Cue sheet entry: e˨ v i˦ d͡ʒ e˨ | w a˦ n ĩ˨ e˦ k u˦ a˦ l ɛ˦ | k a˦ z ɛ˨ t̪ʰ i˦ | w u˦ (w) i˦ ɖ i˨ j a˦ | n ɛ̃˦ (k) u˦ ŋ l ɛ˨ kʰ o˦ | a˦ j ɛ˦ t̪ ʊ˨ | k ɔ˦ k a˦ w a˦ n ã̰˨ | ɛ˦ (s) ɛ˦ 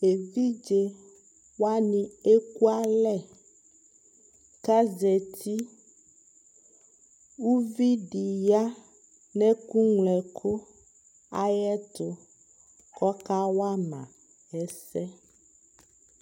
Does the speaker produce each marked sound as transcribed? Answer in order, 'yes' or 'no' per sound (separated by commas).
no, yes, yes